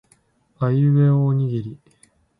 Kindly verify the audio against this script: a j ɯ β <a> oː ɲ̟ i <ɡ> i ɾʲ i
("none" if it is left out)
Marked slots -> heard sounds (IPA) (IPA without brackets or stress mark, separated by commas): e, ɡ